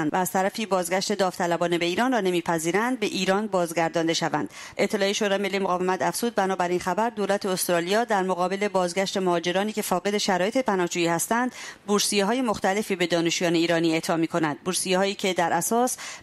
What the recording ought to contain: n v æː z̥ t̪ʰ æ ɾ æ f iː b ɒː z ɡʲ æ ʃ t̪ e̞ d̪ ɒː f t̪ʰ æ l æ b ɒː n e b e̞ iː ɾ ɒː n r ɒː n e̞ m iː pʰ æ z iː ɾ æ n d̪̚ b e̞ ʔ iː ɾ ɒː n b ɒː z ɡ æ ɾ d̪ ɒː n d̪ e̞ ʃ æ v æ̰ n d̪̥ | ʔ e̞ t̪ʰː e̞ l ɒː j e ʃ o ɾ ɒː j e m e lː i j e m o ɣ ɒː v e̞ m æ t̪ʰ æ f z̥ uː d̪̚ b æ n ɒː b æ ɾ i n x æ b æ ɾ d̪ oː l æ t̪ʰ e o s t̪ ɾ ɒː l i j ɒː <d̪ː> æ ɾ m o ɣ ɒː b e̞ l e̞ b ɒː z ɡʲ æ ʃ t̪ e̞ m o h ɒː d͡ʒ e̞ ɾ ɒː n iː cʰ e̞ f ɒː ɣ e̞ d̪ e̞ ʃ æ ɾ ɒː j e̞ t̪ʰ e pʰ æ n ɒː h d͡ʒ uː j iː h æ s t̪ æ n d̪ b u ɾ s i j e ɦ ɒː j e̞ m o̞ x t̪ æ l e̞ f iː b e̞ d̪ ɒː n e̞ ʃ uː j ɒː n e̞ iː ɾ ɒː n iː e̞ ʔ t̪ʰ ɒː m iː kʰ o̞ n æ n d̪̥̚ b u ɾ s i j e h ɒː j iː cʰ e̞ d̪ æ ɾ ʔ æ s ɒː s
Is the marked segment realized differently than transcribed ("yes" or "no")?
yes